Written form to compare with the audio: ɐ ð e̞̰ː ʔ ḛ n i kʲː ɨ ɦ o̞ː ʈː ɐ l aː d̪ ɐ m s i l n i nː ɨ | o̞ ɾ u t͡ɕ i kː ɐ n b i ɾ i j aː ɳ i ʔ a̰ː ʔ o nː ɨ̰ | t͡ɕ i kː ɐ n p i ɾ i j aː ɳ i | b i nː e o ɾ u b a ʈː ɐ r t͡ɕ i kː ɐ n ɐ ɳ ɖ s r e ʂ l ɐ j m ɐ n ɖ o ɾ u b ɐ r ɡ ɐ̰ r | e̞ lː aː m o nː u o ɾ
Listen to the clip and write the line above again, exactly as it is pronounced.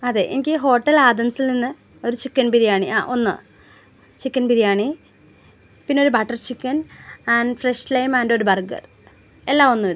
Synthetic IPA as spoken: ɐ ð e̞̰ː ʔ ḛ n i kʲː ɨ ɦ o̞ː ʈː ɐ l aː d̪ ɐ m s i l n i nː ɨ | o̞ ɾ u t͡ɕ i kː ɐ n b i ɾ i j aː ɳ i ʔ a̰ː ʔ o nː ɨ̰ | t͡ɕ i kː ɐ n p i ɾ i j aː ɳ i | p i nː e o ɾ u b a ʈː ɐ r t͡ɕ i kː ɐ n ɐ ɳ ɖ f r e ʂ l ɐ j m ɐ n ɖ o ɾ u b ɐ r ɡ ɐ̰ r | e̞ lː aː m o nː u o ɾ